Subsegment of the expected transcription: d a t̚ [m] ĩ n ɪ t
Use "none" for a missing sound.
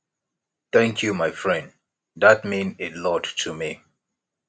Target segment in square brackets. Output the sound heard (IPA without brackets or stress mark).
m